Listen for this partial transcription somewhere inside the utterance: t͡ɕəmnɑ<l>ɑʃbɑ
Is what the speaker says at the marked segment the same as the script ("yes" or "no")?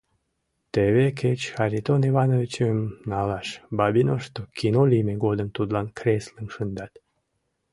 yes